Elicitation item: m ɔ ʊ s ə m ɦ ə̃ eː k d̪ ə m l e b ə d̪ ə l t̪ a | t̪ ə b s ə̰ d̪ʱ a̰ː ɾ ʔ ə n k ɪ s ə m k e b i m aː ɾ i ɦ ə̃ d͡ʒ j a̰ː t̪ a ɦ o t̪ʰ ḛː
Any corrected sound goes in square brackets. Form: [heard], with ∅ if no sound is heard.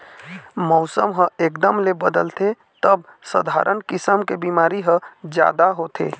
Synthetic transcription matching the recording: m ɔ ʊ s ə m ɦ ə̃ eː k d̪ ə m l e b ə d̪ ə l t̪ [e] | t̪ ə b s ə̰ d̪ʱ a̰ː ɾ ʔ ə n k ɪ s ə m k e b i m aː ɾ i ɦ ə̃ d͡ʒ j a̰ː [d̪] a ɦ o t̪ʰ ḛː